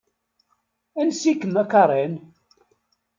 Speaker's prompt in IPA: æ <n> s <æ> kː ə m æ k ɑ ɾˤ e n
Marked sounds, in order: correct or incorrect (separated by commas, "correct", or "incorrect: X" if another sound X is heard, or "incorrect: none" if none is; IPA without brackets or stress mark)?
correct, incorrect: i